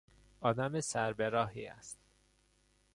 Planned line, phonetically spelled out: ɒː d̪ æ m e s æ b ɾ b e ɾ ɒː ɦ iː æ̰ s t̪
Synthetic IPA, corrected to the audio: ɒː d̪ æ m e s æ ɾ b e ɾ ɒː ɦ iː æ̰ s t̪